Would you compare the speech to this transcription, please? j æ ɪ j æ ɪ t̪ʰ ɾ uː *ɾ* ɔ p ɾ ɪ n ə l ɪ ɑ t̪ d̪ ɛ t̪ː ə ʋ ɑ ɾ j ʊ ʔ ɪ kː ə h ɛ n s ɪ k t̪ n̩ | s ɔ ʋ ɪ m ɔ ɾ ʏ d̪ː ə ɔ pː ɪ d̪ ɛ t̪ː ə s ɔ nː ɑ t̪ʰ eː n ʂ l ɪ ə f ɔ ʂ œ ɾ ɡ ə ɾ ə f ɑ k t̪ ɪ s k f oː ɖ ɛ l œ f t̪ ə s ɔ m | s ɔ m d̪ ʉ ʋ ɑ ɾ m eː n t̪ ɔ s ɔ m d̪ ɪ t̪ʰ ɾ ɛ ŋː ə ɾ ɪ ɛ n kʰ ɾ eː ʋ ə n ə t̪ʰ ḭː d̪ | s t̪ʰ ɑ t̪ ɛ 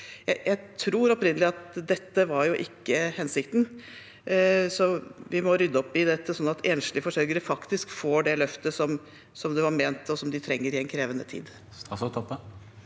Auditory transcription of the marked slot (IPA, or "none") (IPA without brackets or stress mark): ɾ